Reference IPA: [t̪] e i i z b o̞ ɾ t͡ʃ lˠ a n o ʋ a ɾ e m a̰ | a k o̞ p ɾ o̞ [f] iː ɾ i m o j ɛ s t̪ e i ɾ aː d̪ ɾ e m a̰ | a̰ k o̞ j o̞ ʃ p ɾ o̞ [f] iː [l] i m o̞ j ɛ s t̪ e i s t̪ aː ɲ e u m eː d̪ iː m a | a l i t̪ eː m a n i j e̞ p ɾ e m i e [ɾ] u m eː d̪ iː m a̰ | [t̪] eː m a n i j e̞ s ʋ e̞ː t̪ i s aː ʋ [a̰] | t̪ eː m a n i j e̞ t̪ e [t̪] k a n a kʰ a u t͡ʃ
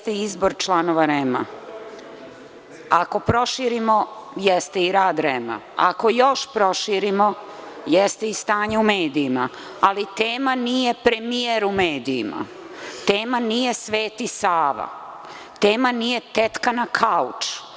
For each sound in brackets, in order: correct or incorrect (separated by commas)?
correct, incorrect, incorrect, incorrect, correct, correct, correct, correct